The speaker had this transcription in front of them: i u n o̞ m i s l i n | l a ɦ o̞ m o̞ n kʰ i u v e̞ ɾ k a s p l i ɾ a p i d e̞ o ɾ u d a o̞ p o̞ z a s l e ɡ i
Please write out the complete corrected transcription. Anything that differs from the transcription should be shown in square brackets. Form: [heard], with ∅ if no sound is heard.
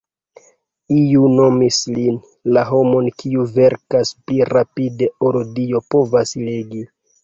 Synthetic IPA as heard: i u n o̞ m i s l i n | l a ɦ o̞ m o̞ n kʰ i u v e̞ ɾ k a s p l i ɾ a p i d e̞ o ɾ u d [i] o̞ p o̞ [v] a s l e ɡ i

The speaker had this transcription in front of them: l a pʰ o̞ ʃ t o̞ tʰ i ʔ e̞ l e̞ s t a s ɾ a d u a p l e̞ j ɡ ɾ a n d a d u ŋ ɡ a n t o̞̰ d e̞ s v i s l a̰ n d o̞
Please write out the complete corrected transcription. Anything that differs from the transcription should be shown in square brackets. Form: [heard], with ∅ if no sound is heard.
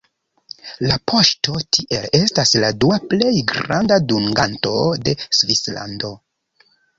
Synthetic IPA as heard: l a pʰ o̞ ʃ t o̞ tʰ i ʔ e̞ l e̞ s t a s [l] a d u a p l e̞ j ɡ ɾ a n d a d u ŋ ɡ a n t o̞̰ d e̞ s v i s l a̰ n d o̞

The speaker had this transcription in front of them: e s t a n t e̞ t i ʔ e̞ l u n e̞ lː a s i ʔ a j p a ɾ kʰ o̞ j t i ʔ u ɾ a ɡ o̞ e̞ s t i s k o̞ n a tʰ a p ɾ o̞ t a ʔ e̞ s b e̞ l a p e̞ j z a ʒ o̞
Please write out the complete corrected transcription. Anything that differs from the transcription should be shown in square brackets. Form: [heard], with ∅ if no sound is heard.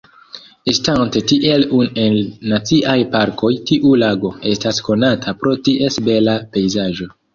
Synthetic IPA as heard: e s t a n t e̞ t i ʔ e̞ l u n e̞ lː a [t͡s] i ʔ a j p a ɾ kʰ o̞ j t i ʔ u [l] a ɡ o̞ e̞ s t [a] s k o̞ n a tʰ a p ɾ o̞ t [i] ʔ e̞ s b e̞ l a p e̞ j z a ʒ o̞

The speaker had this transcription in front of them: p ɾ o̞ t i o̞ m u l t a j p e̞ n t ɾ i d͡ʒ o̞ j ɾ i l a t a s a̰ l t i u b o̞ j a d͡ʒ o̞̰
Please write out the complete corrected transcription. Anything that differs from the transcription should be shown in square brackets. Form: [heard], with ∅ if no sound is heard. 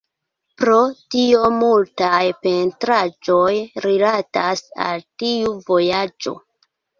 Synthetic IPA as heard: p ɾ o̞ t i o̞ m u l t a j p e̞ n t ɾ [a] d͡ʒ o̞ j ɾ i l a t a s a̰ l t i u [v] o̞ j a d͡ʒ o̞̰

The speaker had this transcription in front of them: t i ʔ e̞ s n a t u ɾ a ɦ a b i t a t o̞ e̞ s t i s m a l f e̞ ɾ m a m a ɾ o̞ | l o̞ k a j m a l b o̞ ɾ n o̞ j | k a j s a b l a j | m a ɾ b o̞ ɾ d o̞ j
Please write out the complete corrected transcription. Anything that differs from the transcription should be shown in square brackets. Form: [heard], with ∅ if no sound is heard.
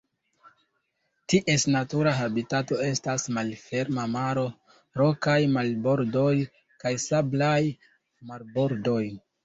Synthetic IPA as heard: t i ʔ e̞ s n a t u ɾ a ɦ a b i t a t o̞ e̞ s t [a] s m a l f e̞ ɾ m a m a ɾ o̞ | [ɾ] o̞ k a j m a l b o̞ ɾ [d] o̞ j | k a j s a b l a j | m a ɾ b o̞ ɾ d o̞ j

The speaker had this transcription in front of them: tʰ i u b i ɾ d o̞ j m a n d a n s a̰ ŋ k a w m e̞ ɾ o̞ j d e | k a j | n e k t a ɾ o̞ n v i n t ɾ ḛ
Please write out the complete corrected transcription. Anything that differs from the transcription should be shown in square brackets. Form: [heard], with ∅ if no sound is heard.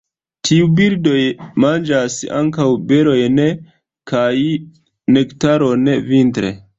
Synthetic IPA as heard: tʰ i u b i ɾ d o̞ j m a n [d͡ʒ] a [∅] s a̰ ŋ k a w [b] e̞ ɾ o̞ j [n] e | k a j | n e k t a ɾ o̞ n v i n t ɾ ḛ

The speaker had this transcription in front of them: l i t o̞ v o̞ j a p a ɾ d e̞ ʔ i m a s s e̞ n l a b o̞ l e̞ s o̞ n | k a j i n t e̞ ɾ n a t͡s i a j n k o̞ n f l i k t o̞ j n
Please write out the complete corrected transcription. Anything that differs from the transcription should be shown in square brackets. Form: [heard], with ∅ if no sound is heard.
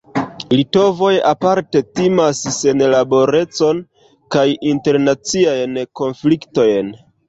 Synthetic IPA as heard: l i t o̞ v o̞ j a p a ɾ [t] e̞ [t] i m a s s e̞ n l a b o̞ [ɾ] e̞ [t͡s] o̞ n | k a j i n t e̞ ɾ n a t͡s i a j n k o̞ n f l i k t o̞ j n

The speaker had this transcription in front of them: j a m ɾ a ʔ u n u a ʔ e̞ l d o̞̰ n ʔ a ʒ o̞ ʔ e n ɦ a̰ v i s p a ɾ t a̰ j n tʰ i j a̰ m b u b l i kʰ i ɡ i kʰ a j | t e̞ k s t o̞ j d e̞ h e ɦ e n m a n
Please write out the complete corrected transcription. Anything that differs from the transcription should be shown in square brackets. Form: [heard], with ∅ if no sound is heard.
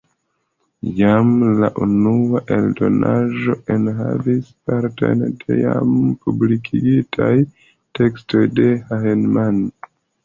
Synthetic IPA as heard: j a m [l] a ʔ u n u a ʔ e̞ l d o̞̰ n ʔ a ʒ o̞ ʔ e n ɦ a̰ v i s p a ɾ t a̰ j n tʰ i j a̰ m [p] u b l i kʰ i ɡ i [tʰ] a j | t e̞ k s t o̞ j d e̞ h [a] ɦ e n m a n

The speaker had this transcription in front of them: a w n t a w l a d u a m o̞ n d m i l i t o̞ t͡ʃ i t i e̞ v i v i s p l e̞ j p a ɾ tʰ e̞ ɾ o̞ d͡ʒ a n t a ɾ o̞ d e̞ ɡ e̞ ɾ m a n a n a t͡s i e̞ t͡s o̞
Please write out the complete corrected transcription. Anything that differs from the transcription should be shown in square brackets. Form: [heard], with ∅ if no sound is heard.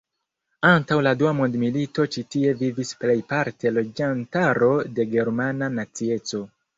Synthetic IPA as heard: a [∅] n t a w l a d u a m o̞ n d m i l i t o̞ t͡ʃ i t i e̞ v i v i s p l e̞ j p a ɾ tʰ e̞ [l] o̞ d͡ʒ a n t a ɾ o̞ d e̞ ɡ e̞ ɾ m a n a n a t͡s i e̞ t͡s o̞

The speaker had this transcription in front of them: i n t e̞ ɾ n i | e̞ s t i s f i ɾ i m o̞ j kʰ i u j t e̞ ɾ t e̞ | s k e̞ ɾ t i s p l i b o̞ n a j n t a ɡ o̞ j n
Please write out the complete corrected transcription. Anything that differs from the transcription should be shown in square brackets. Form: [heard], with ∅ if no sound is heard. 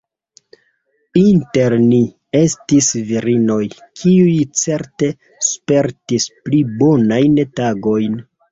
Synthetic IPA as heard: i n t e̞ ɾ n i | e̞ s t i s [v] i ɾ i [n] o̞ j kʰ i u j [t͡s] e̞ ɾ t e̞ | s [p] e̞ ɾ t i s p l i b o̞ n a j n t a ɡ o̞ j n

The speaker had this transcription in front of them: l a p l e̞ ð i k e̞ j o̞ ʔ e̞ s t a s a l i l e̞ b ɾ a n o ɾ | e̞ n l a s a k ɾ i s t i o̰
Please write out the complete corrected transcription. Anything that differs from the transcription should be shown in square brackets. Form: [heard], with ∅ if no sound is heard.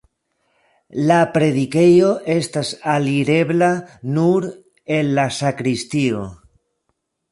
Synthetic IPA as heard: l a p [ɾ] e̞ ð i k e̞ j o̞ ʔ e̞ s t a s a l i [ɾ] e̞ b [l] a n [u] ɾ | e̞ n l a s a k ɾ i s t i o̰

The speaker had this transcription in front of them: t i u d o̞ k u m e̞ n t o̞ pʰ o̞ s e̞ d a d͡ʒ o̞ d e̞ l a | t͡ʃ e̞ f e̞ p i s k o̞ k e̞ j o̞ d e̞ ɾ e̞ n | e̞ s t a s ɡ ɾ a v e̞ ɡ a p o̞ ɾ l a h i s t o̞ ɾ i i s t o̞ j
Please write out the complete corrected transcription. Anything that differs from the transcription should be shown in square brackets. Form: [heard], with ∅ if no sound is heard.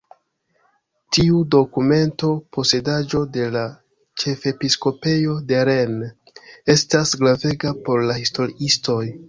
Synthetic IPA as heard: t i u d o̞ k u m e̞ n t o̞ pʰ o̞ s e̞ d a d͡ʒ o̞ d e̞ l a | t͡ʃ e̞ f e̞ p i s k o̞ [p] e̞ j o̞ d e̞ ɾ e̞ n | e̞ s t a s ɡ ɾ a v e̞ ɡ a p o̞ ɾ l a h i s t o̞ ɾ i i s t o̞ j

